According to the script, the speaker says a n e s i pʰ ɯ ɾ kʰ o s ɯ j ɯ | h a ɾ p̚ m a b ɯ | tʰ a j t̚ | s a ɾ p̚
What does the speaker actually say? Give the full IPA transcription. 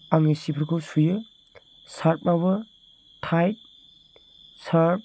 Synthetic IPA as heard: a ŋ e s i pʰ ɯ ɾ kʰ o s u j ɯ | s a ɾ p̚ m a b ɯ | tʰ a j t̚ | s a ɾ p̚